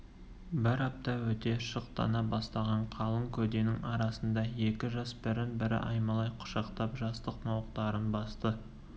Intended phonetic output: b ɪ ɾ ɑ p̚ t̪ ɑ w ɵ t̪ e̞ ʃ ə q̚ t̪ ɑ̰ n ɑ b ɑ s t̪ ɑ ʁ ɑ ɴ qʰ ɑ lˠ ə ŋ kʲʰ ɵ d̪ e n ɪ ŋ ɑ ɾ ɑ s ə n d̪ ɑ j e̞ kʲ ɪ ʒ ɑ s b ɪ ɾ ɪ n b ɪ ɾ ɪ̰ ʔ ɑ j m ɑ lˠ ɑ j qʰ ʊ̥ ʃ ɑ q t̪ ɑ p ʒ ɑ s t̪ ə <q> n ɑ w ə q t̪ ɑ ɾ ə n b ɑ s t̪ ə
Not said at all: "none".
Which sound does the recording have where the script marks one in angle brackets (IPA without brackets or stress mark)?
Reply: q